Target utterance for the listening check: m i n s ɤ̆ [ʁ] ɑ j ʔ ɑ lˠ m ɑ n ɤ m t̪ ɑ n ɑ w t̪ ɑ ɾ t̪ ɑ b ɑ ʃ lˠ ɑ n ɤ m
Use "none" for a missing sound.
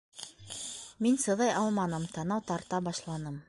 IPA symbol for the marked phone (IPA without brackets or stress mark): ð